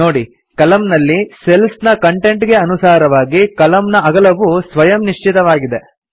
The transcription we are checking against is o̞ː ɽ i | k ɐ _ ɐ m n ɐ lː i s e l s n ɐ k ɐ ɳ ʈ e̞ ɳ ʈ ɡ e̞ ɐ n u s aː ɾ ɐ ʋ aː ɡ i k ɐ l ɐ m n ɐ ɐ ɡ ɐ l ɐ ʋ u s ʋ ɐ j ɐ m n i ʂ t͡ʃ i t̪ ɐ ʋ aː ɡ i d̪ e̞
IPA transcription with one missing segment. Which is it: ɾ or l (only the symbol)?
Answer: l